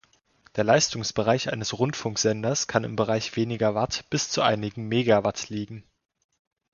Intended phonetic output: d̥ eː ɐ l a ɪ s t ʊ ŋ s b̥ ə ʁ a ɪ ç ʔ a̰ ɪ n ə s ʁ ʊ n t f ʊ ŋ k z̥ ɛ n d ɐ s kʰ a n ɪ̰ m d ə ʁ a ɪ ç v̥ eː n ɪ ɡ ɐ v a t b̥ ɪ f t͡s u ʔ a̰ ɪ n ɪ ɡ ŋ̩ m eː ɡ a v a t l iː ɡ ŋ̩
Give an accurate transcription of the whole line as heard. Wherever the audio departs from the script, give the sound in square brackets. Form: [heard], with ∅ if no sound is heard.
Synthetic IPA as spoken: d̥ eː ɐ l a ɪ s t ʊ ŋ s b̥ ə ʁ a ɪ ç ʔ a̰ ɪ n ə s ʁ ʊ n t f ʊ ŋ k z̥ ɛ n d ɐ s kʰ a n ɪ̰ m [b] ə ʁ a ɪ ç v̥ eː n ɪ ɡ ɐ v a t b̥ ɪ [s] t͡s u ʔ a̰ ɪ n ɪ ɡ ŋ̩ m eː ɡ a v a t l iː ɡ ŋ̩